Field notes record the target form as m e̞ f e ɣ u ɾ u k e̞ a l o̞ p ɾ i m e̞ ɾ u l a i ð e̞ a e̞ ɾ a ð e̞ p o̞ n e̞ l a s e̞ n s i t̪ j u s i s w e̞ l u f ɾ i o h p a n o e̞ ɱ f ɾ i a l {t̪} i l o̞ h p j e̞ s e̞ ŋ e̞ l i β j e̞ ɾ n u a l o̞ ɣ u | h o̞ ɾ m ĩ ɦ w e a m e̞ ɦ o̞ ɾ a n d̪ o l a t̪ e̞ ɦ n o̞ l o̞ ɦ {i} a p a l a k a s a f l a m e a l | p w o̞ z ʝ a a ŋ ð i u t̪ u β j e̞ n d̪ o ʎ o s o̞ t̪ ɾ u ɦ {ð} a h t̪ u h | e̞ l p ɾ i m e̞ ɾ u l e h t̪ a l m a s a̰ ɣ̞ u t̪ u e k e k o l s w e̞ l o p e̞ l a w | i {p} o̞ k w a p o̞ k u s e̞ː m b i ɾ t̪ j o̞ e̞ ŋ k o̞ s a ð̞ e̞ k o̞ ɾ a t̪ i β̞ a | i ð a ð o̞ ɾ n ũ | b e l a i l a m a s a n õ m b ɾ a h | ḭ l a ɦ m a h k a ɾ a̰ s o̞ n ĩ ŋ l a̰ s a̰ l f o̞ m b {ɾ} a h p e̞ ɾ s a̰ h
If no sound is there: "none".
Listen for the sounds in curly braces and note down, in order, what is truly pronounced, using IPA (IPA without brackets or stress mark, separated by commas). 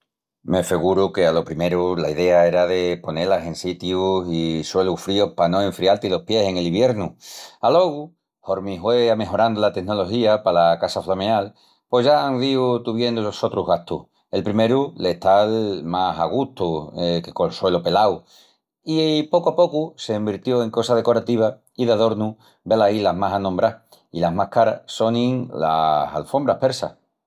t̪, i, ɣ, p, ɾ